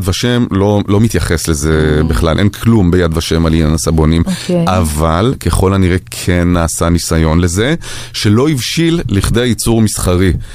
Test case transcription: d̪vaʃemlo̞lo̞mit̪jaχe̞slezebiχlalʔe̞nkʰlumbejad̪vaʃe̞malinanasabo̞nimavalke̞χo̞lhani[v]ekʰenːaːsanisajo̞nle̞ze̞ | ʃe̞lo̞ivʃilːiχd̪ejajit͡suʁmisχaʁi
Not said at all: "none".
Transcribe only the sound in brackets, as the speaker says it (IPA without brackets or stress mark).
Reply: ʁ